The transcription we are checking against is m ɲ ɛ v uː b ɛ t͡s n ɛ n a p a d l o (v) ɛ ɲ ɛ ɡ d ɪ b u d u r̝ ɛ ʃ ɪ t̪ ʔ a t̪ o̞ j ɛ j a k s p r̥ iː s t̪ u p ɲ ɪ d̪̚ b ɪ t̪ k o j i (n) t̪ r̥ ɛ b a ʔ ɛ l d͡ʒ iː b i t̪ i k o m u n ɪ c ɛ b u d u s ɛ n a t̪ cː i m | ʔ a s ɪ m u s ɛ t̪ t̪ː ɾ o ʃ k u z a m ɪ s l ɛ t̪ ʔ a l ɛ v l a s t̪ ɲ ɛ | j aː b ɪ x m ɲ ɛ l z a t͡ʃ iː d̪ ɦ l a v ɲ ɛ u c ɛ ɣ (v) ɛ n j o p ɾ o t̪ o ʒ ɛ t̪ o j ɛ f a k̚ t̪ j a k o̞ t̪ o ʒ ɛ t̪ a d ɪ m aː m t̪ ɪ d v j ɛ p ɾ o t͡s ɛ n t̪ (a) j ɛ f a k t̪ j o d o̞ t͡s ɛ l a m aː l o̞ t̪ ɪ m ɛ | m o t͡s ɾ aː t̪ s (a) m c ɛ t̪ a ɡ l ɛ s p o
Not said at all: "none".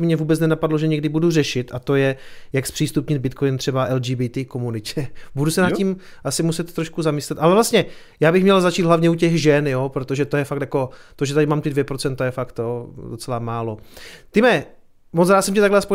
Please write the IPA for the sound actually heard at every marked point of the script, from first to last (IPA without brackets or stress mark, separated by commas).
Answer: ʒ, n, ʒ, a, ɛ